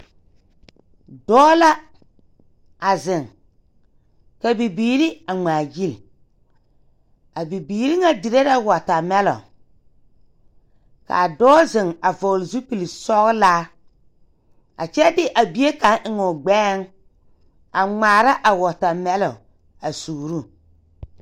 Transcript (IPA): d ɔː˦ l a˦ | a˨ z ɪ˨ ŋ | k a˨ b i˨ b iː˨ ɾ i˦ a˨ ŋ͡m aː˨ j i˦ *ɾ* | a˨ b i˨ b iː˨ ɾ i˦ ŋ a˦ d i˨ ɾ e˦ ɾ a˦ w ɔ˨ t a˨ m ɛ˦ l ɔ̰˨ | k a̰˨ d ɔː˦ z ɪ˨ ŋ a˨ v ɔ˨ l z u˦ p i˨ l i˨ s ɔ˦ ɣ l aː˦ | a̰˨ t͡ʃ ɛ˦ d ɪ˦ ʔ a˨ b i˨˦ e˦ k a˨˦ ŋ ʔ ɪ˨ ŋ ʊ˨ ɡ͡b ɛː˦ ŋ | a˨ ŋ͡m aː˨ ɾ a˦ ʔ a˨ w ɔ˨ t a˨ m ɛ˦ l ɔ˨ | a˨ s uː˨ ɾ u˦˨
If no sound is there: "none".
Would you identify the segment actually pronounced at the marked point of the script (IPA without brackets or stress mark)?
l